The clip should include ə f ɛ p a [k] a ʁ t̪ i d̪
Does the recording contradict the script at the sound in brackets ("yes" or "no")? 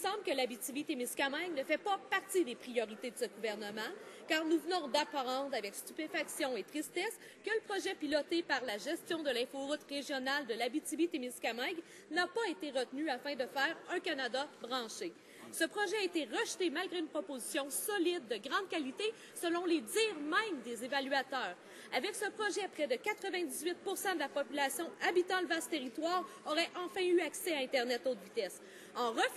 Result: yes